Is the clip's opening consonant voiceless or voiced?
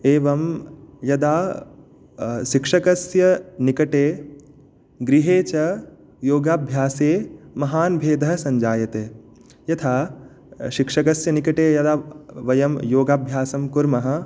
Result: voiced